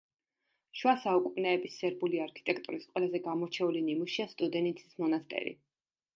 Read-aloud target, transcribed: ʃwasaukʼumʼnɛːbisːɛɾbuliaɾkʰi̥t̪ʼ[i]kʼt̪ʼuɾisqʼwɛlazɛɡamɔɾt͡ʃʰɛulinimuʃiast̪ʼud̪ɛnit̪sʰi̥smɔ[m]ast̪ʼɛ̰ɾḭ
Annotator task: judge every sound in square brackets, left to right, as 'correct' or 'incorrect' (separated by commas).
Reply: incorrect, incorrect